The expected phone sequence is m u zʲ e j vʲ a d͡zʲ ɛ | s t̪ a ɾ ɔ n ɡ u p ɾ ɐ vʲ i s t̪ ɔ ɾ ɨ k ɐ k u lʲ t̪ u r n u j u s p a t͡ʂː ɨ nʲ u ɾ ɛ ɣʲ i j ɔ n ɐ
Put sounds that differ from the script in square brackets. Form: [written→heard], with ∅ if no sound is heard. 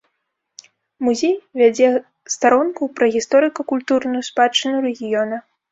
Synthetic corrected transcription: m u zʲ e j vʲ a d͡zʲ ɛ | s t̪ a ɾ ɔ n [ɡ→k] u p ɾ ɐ [vʲ→ɣʲ] i s t̪ ɔ ɾ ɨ k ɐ k u lʲ t̪ u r n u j u s p a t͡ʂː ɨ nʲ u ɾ ɛ ɣʲ i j ɔ n ɐ